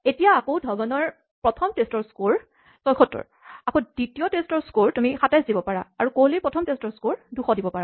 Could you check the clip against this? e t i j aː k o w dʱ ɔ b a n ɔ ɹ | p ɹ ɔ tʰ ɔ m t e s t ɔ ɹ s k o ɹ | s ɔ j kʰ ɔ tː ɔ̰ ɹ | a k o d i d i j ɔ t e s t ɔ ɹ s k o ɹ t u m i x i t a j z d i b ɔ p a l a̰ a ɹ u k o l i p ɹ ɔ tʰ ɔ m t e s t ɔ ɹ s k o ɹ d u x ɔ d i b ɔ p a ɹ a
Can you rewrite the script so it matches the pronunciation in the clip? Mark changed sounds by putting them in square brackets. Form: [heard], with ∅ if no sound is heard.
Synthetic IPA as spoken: e t i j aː k o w dʱ ɔ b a n ɔ ɹ | p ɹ ɔ tʰ ɔ m t e s t ɔ ɹ s k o ɹ | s ɔ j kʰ ɔ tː ɔ̰ ɹ | a k o d i [t] i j ɔ t e s t ɔ ɹ s k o ɹ t u m i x [a] t a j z d i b ɔ p a [ɹ] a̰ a ɹ u k o l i p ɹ ɔ tʰ ɔ m t e s t ɔ ɹ s k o ɹ d u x ɔ d i b ɔ p a ɹ a